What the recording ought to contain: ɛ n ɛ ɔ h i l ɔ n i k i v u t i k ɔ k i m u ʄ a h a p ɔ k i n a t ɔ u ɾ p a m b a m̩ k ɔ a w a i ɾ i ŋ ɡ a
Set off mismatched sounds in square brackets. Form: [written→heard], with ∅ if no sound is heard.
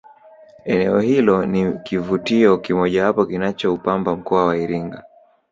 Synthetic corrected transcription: ɛ n ɛ ɔ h i l ɔ n i k i v u t i [k→∅] ɔ k i m [u→ɔ] ʄ a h a p ɔ k i n a [t→t͡ʃ] ɔ u [ɾ→∅] p a m b a m̩ k ɔ a w a i ɾ i ŋ ɡ a